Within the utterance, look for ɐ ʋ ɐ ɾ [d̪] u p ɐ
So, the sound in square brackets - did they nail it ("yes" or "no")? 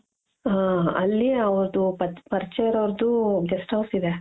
yes